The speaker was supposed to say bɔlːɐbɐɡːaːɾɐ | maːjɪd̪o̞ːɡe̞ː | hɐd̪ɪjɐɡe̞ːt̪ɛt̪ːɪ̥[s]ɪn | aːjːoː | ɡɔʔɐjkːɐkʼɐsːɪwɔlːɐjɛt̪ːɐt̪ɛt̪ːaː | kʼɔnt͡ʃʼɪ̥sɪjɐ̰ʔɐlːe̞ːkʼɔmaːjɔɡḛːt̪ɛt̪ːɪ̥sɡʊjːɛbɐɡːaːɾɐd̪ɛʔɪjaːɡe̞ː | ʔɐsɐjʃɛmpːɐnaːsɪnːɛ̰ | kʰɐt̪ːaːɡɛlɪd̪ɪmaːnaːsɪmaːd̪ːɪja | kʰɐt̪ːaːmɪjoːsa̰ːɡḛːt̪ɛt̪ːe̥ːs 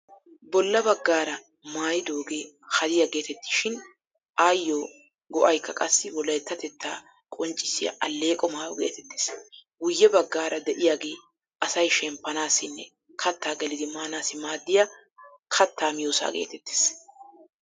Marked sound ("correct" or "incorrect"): incorrect